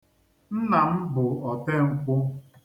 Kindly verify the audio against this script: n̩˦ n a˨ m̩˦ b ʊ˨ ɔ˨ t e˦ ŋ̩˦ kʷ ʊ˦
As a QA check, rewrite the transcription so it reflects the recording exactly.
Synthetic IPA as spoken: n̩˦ n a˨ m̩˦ b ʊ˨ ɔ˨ t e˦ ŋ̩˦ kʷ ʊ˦